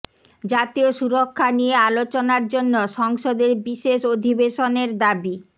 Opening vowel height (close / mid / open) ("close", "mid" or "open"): open